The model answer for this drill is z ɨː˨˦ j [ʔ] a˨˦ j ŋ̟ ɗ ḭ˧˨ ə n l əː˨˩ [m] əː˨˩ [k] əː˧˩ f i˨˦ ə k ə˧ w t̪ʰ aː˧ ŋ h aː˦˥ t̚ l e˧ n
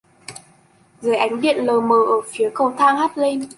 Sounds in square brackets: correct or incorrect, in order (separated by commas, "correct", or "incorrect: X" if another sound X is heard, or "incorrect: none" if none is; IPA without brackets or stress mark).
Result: correct, correct, incorrect: ʔ